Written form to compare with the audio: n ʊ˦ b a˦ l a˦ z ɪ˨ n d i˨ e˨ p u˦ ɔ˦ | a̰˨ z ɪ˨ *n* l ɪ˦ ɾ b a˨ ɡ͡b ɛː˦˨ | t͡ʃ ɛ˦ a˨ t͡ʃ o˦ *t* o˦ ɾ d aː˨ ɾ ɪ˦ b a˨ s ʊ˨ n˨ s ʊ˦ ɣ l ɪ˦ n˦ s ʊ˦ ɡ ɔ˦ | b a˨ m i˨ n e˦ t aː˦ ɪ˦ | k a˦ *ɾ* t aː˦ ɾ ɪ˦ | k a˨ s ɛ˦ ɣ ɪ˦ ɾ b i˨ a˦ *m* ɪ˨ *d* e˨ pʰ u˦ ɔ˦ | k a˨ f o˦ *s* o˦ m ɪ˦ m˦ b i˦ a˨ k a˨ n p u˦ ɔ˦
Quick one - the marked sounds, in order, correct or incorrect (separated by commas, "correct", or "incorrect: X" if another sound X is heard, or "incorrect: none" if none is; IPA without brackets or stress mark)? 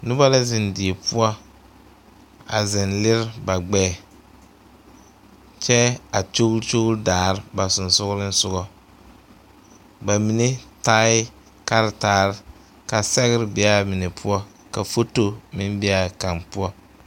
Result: correct, incorrect: t͡ʃ, correct, correct, incorrect: n, incorrect: t